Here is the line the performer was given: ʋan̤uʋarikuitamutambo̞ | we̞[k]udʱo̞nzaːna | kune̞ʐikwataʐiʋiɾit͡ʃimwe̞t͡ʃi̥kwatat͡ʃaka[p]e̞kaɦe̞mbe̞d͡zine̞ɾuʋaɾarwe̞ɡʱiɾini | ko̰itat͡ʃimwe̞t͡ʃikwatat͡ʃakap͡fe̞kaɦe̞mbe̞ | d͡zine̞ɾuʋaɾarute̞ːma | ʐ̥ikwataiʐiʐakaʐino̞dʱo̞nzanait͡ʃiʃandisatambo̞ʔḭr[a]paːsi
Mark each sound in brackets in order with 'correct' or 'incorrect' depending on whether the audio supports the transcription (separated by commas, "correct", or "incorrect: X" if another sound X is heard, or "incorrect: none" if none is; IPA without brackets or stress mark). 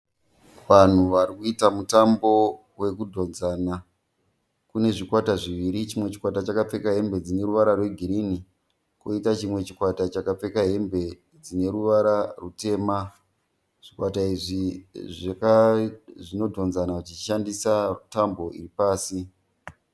correct, incorrect: p͡f, incorrect: i